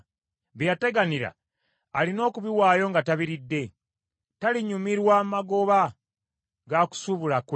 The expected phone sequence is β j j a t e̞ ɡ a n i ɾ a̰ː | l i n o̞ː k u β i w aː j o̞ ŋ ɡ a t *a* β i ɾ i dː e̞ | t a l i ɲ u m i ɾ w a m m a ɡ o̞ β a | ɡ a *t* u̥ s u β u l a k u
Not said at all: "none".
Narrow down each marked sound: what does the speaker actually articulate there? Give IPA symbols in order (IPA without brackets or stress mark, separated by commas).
a, k